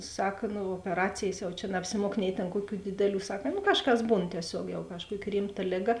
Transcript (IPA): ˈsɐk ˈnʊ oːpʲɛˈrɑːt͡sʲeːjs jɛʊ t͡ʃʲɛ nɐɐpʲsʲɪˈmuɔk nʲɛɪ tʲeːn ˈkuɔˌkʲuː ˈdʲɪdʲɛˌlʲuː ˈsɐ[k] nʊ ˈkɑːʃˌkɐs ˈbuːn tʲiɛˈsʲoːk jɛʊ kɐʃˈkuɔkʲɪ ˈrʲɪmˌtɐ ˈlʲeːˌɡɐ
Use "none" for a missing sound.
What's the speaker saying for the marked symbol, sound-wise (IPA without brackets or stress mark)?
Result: k